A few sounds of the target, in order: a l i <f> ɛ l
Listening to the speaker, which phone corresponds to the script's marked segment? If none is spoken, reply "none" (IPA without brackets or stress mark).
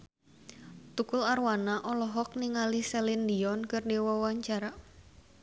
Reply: s